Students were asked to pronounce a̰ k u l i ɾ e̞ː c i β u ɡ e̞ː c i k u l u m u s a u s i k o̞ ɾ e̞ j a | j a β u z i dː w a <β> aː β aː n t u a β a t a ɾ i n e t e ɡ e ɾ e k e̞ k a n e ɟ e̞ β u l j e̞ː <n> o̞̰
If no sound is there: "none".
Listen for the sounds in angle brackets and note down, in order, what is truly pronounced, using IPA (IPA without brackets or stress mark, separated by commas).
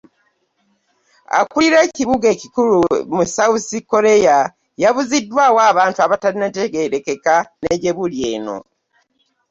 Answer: w, n